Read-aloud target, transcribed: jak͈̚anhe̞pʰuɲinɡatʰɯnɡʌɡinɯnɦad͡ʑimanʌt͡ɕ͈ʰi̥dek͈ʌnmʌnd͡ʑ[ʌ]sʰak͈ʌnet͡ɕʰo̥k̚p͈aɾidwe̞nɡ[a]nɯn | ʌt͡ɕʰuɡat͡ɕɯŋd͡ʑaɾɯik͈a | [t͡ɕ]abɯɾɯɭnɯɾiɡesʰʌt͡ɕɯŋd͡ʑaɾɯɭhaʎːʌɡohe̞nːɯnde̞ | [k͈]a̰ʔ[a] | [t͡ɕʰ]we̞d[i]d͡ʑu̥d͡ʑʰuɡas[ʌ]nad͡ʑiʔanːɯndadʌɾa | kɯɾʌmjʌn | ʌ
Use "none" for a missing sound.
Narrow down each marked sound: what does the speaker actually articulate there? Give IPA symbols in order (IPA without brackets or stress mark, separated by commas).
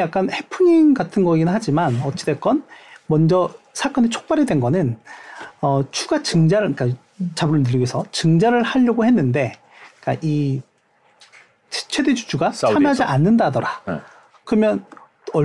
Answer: ʌ, ʌ, t͡ɕ, k͈, i, t͡ɕʰ, e, a